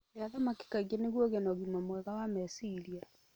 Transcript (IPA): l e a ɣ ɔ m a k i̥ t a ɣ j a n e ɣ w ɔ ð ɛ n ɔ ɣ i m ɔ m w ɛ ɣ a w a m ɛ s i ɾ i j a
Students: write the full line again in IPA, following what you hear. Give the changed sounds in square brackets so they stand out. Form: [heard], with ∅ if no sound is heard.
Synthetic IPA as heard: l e a [ð] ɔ m a k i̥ [k] a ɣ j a n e ɣ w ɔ [ɣ] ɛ n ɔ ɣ i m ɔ m w ɛ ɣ a w a m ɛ s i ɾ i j a